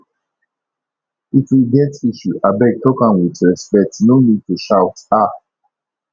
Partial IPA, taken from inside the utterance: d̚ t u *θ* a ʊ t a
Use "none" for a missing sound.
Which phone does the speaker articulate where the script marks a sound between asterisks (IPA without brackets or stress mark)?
ʃ